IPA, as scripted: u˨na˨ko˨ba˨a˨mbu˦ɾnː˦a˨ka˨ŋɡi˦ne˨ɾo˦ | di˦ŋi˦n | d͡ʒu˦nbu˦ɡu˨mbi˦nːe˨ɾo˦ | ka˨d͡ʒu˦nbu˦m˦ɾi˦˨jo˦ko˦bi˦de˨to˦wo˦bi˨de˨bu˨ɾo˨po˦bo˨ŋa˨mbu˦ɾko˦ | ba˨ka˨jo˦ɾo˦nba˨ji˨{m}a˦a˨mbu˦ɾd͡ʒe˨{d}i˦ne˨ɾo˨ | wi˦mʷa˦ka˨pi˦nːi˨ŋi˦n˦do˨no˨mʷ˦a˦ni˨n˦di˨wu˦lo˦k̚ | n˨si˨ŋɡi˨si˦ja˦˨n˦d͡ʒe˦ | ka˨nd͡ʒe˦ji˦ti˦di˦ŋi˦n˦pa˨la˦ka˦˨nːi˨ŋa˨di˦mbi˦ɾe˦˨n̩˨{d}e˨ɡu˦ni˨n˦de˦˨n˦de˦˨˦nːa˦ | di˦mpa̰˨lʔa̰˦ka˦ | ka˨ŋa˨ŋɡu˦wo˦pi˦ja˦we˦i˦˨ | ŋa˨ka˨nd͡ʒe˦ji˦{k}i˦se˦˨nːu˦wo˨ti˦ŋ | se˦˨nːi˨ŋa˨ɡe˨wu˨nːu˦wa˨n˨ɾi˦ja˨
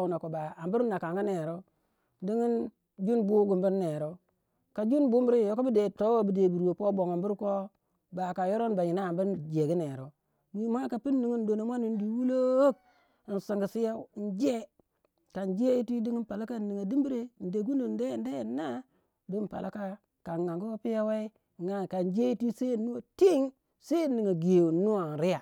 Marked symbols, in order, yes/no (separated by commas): no, no, yes, no